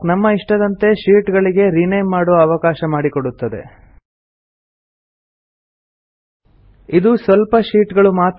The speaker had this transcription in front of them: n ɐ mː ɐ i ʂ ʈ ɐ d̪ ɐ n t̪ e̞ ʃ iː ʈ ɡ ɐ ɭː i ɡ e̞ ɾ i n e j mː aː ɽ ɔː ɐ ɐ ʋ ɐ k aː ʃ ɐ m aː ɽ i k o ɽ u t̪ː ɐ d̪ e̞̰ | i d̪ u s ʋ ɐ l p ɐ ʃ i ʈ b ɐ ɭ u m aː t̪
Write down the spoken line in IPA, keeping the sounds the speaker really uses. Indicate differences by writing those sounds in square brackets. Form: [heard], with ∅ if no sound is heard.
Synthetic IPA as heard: n ɐ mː ɐ i ʂ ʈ ɐ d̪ ɐ n t̪ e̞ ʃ iː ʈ ɡ ɐ [ɭ] i ɡ e̞ ɾ i n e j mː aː ɽ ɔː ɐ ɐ ʋ ɐ k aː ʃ ɐ m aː ɽ i k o ɽ u t̪ː ɐ d̪ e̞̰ | i d̪ u s ʋ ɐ l p ɐ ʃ [iː] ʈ [ɡ] ɐ ɭ u m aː t̪